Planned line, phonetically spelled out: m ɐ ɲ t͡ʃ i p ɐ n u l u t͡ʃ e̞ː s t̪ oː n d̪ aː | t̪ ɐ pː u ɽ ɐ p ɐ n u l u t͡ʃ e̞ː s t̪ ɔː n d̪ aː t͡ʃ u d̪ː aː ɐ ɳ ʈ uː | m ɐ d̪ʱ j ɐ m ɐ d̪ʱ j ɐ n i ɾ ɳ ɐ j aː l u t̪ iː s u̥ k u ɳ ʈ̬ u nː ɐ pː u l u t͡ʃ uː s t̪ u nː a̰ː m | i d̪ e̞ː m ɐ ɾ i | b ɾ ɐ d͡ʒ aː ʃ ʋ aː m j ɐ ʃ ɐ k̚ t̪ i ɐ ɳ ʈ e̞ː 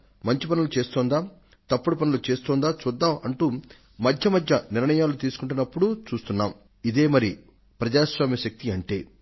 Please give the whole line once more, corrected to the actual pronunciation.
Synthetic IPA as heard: m ɐ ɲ t͡ʃ i p ɐ n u l u t͡ʃ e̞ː s t̪ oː n d̪ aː | t̪ ɐ pː u ɽ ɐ p ɐ n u l u t͡ʃ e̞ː s t̪ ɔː n d̪ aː t͡ʃ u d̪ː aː ɐ ɳ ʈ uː | m ɐ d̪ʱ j ɐ m ɐ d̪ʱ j ɐ n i ɾ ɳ ɐ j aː l u t̪ iː s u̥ k u ɳ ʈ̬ u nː ɐ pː u ɽ u t͡ʃ uː s t̪ u nː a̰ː m | i d̪ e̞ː m ɐ ɾ i | p ɾ ɐ d͡ʒ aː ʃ ʋ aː m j ɐ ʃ ɐ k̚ t̪ i ɐ ɳ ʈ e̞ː

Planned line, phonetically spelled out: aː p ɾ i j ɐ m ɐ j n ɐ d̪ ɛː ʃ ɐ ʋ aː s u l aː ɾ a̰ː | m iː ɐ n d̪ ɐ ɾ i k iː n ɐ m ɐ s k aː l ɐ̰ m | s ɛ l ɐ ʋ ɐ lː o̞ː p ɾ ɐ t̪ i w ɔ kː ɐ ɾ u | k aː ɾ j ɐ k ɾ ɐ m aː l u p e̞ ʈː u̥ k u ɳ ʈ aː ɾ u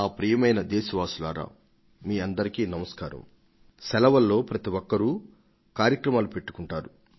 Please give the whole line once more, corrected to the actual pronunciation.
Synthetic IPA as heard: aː p ɾ i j ɐ m ɐ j n ɐ d̪ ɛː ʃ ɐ ʋ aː s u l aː ɾ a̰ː | m iː ɐ n d̪ ɐ ɾ i k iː n ɐ m ɐ s k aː ɾ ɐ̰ m | s ɛ l ɐ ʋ ɐ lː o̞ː p ɾ ɐ t̪ i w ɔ kː ɐ ɾ u | k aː ɾ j ɐ k ɾ ɐ m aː l u p e̞ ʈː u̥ k u ɳ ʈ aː ɾ u

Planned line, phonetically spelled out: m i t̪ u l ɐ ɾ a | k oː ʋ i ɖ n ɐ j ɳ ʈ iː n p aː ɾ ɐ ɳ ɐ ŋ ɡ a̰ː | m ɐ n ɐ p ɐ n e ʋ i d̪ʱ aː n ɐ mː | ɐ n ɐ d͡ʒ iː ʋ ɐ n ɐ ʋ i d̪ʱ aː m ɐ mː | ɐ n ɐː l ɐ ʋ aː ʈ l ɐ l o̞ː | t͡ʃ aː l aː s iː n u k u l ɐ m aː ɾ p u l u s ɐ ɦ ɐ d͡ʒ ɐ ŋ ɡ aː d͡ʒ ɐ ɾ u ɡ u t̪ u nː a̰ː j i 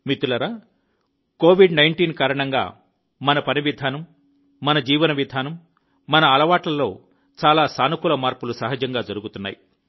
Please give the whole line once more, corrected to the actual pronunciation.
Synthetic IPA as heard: m i t̪ u l ɐ ɾ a | k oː ʋ i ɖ n ɐ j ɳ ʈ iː n k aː ɾ ɐ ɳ ɐ ŋ ɡ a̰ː | m ɐ n ɐ p ɐ n i ʋ i d̪ʱ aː n ɐ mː | ɐ n ɐ d͡ʒ iː ʋ ɐ n ɐ ʋ i d̪ʱ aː n ɐ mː | ɐ n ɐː l ɐ ʋ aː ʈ l ɐ l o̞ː | t͡ʃ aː l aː s aː n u k u l ɐ m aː ɾ p u l u s ɐ ɦ ɐ d͡ʒ ɐ ŋ ɡ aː d͡ʒ ɐ ɾ u ɡ u t̪ u nː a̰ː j i

